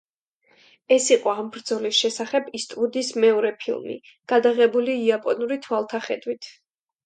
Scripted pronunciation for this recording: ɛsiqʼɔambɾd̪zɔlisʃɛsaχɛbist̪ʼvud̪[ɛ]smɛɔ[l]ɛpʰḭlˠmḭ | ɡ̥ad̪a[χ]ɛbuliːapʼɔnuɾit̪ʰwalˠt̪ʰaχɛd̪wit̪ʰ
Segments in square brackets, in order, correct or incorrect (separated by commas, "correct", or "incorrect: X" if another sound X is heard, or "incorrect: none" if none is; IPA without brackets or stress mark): incorrect: i, incorrect: ɾ, incorrect: ʁ